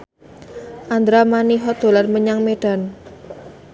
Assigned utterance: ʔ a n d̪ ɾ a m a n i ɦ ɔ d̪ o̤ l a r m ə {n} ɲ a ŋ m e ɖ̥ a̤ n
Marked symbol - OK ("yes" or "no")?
no